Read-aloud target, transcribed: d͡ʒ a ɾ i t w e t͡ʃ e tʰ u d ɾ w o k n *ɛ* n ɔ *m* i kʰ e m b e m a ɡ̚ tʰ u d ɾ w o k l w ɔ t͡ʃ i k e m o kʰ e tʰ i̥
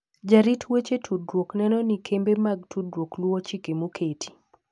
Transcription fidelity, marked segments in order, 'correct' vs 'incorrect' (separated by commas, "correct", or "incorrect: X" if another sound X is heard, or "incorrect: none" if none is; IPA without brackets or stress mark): correct, incorrect: n